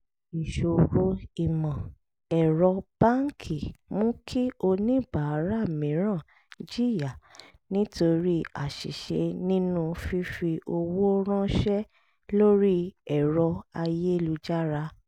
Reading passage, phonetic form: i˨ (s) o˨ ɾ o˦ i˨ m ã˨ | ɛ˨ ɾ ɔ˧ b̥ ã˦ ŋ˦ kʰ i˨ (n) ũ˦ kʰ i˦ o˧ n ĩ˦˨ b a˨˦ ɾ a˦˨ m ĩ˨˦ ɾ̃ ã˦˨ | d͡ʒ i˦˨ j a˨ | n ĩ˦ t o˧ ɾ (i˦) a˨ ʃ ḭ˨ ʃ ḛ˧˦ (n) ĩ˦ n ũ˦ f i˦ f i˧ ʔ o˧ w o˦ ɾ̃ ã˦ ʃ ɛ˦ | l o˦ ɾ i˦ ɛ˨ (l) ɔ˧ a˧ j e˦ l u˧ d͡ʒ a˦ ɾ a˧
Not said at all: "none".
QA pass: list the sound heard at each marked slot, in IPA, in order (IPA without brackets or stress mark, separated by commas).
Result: ʃ, m, i˦, n, ɾ